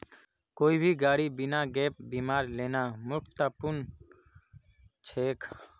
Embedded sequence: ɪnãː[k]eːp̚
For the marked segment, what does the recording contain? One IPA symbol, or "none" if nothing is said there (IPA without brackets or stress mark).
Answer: ɡ